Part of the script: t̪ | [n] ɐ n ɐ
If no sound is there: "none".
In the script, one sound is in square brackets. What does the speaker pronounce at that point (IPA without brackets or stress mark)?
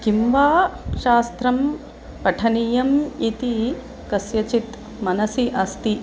m